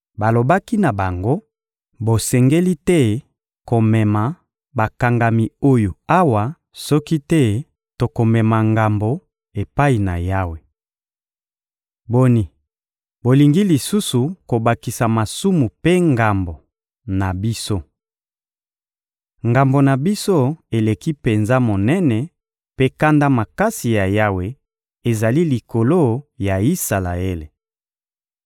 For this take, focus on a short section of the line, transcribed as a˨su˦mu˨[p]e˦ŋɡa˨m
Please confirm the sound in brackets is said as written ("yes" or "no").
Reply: yes